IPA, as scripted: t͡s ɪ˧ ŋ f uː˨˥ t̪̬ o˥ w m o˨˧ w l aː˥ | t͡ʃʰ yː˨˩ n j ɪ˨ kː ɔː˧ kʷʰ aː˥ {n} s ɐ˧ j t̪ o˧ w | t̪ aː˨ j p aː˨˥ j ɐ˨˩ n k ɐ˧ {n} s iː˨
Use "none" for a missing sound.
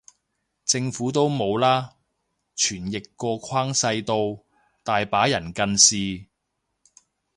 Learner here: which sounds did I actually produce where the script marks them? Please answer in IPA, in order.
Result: ŋ, n

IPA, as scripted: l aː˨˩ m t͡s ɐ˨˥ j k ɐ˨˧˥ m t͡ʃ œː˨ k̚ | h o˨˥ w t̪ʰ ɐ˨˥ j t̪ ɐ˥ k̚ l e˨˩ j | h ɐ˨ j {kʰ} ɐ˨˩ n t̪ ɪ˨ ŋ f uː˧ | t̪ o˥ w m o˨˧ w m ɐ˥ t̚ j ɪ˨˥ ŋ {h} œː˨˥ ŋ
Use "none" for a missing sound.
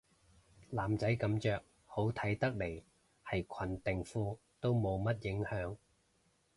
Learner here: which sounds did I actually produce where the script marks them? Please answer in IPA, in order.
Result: kʰ, h

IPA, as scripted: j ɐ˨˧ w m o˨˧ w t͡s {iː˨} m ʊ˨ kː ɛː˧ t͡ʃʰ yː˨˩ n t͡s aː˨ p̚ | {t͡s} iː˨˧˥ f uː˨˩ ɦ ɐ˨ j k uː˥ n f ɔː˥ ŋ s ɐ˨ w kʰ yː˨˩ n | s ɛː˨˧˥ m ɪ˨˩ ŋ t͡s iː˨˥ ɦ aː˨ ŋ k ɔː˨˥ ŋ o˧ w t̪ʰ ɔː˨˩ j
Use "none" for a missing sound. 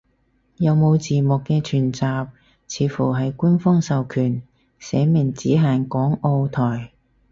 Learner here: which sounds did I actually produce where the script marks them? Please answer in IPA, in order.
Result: iː˨, t͡sʰ

